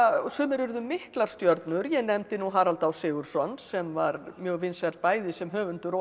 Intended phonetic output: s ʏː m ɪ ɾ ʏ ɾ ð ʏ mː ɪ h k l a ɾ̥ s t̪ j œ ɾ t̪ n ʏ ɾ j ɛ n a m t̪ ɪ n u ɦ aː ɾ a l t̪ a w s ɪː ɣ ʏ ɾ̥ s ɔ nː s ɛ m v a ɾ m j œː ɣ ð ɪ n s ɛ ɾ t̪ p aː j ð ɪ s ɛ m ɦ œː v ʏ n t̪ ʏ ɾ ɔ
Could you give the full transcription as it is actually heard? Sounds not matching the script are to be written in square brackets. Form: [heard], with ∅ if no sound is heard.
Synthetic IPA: s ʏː m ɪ ɾ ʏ ɾ ð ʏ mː ɪ h k l a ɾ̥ s t̪ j œ ɾ t̪ n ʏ ɾ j ɛ n [ɛ] m t̪ ɪ n u ɦ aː ɾ a l t̪ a w s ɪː ɣ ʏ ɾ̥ s ɔ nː s ɛ m v a ɾ m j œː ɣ [v] ɪ n s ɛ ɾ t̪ p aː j ð ɪ s ɛ m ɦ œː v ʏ n t̪ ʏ ɾ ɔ